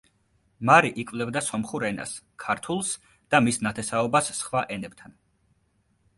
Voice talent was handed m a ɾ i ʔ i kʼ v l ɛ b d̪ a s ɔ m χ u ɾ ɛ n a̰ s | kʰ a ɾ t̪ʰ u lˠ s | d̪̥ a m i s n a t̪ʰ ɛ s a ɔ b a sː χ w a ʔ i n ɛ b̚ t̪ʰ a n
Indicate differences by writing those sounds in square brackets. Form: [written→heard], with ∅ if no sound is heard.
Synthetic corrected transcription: m a ɾ i ʔ i kʼ v l ɛ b d̪ a s ɔ m χ u ɾ ɛ n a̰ s | kʰ a ɾ t̪ʰ u lˠ s | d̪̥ a m i s n a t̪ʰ ɛ s a ɔ b a sː χ w a ʔ [i→ɛ] n ɛ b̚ t̪ʰ a n